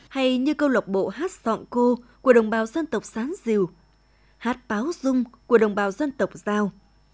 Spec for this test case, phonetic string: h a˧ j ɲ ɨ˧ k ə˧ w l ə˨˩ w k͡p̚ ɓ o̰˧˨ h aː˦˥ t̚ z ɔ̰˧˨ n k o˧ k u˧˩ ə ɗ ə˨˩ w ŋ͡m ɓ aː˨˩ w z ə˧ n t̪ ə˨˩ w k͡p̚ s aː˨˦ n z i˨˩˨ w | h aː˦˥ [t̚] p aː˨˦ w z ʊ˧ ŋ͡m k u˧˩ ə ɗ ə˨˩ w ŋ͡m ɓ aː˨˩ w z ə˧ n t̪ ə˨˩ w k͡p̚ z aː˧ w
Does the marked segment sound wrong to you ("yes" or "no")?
no